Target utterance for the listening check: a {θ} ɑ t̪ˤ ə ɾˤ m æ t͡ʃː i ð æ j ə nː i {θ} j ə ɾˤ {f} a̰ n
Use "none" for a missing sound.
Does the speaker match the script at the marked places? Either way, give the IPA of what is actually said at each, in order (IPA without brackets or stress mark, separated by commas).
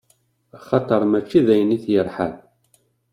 χ, θ, ħ